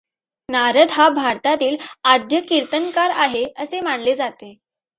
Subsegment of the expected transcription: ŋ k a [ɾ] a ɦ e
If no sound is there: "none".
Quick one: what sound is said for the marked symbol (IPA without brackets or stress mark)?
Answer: ɾ